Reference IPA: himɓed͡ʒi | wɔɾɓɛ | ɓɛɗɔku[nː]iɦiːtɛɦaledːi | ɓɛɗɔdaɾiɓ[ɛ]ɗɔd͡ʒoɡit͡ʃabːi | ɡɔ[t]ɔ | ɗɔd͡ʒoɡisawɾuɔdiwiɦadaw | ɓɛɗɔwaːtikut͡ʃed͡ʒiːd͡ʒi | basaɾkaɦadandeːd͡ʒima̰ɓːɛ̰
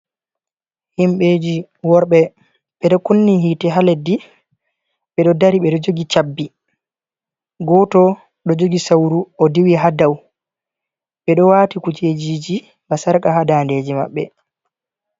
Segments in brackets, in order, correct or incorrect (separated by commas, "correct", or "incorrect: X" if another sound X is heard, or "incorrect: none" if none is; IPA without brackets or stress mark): correct, correct, correct